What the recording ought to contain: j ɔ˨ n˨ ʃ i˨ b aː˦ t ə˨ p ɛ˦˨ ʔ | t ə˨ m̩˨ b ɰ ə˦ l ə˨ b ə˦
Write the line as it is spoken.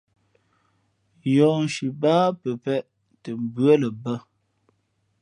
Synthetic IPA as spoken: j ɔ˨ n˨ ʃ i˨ b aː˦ p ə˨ p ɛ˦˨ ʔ | t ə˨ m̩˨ b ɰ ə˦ l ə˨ b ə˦

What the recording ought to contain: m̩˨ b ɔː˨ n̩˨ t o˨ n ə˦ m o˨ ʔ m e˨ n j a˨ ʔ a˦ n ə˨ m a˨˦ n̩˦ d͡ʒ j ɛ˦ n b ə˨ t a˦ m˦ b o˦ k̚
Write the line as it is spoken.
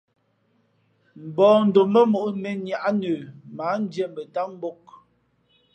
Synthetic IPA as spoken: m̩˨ b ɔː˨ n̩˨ d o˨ m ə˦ m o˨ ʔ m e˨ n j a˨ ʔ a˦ n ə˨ m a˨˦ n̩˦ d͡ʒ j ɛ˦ m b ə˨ t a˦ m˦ b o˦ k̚

